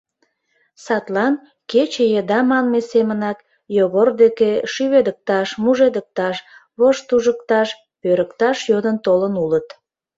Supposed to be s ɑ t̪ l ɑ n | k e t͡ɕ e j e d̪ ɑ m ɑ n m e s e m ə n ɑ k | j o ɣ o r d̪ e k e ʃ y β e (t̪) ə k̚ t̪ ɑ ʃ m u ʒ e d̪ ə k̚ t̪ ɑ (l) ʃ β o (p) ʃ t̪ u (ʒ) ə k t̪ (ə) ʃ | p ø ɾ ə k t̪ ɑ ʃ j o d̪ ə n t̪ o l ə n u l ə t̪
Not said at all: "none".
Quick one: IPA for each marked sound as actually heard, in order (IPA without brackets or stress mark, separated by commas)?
d̪, none, none, ʒ, ɑ